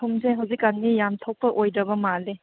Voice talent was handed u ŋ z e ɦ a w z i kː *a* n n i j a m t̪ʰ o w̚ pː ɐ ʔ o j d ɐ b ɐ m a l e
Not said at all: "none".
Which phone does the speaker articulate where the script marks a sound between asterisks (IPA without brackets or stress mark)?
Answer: a